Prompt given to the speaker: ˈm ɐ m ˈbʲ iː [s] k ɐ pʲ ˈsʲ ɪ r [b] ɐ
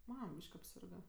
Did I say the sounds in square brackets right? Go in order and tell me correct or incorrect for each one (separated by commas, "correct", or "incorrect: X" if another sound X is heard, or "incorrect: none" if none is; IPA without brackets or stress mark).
incorrect: ʃ, incorrect: ɡ